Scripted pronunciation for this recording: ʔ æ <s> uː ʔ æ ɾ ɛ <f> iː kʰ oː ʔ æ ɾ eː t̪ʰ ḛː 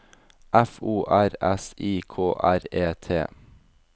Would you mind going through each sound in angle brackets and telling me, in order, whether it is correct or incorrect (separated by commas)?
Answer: incorrect, incorrect